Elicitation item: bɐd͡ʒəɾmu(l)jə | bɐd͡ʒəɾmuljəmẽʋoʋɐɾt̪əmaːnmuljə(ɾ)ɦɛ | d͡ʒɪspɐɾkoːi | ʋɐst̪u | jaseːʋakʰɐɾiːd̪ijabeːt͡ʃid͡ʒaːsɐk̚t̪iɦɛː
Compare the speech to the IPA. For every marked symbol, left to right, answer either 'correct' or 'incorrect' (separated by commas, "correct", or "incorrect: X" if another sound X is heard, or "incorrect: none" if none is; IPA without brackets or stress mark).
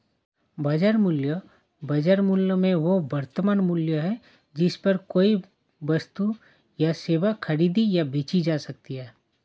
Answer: correct, incorrect: none